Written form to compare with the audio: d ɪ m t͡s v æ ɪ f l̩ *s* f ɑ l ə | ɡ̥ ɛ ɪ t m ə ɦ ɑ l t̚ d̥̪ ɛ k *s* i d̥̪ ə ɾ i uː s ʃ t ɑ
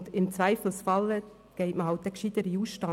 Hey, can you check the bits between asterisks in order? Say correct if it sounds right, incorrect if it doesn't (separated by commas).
correct, incorrect